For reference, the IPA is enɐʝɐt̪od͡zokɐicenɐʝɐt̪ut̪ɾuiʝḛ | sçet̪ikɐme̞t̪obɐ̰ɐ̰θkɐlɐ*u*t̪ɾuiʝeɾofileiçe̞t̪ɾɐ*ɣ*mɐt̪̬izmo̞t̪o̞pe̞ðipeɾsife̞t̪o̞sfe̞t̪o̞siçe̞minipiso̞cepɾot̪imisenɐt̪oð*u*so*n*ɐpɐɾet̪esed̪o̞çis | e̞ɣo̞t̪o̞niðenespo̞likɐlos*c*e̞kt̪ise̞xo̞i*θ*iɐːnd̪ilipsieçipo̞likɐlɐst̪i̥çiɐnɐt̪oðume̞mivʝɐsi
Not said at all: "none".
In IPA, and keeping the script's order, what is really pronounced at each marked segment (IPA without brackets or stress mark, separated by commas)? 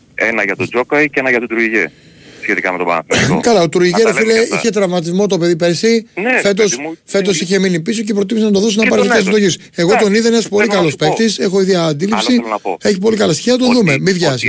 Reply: o, v, o, n, p, ð